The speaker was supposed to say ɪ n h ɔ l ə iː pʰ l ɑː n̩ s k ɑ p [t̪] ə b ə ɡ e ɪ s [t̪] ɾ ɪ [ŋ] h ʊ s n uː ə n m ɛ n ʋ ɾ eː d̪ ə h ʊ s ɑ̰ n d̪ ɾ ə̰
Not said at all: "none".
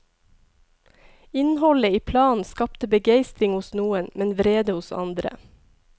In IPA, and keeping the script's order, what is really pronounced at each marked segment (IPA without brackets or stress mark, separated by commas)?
t̪, t̪, ŋ